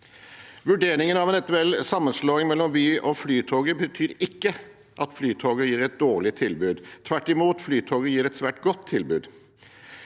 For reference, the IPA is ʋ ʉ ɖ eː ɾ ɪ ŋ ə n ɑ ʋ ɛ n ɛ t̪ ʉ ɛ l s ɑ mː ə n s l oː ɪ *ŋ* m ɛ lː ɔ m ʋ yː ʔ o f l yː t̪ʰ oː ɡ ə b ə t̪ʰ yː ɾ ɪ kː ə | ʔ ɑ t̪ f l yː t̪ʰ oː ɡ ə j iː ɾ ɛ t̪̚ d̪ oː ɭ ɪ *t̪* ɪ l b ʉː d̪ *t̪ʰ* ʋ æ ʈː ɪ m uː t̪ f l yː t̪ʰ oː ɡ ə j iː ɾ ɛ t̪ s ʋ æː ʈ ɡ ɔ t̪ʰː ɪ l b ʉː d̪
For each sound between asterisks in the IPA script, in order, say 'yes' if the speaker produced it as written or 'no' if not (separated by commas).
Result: yes, no, yes